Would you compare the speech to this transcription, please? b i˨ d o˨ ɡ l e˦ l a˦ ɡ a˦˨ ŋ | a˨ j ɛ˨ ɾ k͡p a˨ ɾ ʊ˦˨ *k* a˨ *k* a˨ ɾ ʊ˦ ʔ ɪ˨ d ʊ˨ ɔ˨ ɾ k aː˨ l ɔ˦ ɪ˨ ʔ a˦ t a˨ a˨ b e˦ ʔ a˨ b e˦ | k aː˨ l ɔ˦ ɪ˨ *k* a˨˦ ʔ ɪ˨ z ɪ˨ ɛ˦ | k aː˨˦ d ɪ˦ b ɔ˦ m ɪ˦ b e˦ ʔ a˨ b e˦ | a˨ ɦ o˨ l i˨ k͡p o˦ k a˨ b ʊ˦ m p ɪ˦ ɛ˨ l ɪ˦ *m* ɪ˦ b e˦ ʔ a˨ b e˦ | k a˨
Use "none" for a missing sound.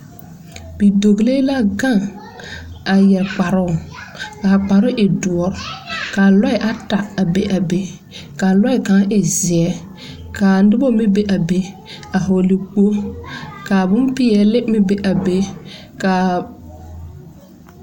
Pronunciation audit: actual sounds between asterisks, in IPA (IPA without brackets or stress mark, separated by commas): k, k͡p, k, m